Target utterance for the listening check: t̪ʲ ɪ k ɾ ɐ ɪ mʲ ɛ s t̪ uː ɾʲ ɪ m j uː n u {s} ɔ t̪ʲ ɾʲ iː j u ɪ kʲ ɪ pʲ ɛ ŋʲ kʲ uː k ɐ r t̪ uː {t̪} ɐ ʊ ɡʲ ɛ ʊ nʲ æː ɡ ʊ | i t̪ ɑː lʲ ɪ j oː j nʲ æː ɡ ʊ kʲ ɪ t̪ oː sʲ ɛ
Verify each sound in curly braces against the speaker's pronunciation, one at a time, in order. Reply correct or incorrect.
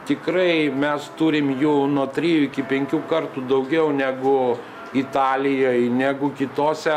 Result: incorrect: none, incorrect: d̪

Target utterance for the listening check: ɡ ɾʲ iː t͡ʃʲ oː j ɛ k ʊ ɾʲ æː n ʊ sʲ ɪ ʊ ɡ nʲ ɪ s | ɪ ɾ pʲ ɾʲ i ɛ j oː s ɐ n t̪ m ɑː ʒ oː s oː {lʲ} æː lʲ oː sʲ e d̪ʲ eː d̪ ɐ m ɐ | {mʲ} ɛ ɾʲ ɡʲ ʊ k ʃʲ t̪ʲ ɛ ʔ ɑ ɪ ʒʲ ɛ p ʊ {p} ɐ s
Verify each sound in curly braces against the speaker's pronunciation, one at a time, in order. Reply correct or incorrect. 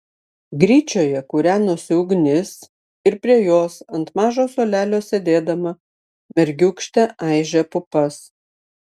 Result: correct, correct, correct

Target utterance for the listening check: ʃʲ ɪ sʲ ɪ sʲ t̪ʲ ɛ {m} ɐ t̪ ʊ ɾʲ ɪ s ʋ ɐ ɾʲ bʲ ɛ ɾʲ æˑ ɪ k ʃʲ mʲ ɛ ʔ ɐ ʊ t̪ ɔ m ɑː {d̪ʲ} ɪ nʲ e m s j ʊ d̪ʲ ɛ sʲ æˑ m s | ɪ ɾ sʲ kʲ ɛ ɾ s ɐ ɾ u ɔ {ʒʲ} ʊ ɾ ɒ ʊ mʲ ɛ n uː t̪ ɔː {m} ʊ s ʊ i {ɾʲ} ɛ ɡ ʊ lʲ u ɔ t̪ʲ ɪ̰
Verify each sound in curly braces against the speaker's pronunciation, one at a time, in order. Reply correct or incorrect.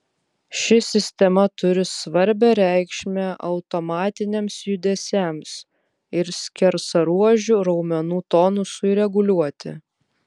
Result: correct, incorrect: t̪ʲ, correct, incorrect: n, correct

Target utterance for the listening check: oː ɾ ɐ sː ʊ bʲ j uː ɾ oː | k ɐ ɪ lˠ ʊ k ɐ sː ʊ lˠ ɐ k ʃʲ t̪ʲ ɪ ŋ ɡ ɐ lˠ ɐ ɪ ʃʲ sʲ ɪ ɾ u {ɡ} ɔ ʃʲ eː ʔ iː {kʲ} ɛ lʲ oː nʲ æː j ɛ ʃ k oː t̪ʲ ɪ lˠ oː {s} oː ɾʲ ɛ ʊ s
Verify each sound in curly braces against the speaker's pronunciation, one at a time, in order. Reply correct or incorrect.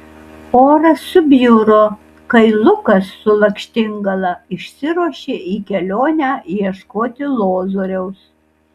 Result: incorrect: none, correct, incorrect: z

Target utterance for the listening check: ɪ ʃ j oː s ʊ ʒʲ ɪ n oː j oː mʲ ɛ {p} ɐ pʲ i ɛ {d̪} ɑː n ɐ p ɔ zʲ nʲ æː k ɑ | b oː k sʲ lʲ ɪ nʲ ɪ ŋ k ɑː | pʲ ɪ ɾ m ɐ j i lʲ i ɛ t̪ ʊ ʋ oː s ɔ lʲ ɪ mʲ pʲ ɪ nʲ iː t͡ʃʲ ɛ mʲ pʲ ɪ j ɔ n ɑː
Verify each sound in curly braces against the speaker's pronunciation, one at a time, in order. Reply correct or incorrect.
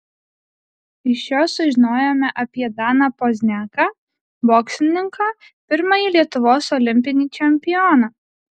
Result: incorrect: ʔ, correct

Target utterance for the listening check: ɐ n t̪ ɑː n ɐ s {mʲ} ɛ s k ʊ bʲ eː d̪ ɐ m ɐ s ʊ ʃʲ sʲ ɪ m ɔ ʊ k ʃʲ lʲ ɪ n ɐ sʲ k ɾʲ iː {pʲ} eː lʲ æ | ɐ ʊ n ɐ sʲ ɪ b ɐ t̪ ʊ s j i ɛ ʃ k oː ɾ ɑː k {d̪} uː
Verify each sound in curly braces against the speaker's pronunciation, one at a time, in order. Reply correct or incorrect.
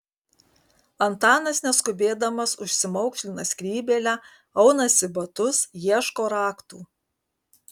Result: incorrect: nʲ, incorrect: bʲ, incorrect: t̪

